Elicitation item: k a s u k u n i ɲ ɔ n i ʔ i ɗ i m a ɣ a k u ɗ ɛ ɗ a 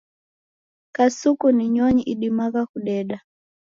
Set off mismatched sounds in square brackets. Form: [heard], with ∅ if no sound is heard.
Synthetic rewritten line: k a s u k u n i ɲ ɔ [ɲ] i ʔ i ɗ i m a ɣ a k u ɗ ɛ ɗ a